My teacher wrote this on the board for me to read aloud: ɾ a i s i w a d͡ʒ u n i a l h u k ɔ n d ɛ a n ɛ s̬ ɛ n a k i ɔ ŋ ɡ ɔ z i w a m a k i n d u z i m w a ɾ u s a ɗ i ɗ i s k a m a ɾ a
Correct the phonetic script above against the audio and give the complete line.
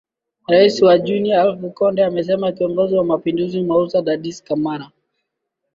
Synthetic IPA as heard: ɾ a i s i w a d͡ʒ u n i a l f u k ɔ n d ɛ a m ɛ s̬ ɛ m a k i ɔ ŋ ɡ ɔ z i w a m a p i n d u z i m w a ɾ u s a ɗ a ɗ i s k a m a ɾ a